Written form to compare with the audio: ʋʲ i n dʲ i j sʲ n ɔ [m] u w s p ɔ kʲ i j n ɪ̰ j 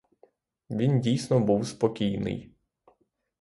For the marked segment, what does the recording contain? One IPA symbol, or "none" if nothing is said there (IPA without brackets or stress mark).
b